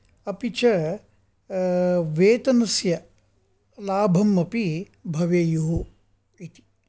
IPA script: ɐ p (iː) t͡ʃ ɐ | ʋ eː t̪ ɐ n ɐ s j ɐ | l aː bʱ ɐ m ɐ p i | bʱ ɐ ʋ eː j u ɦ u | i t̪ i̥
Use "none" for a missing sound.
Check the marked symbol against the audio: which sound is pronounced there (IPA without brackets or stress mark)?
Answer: i